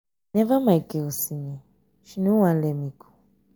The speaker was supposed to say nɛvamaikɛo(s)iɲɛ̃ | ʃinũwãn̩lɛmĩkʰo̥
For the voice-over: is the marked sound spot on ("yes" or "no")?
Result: yes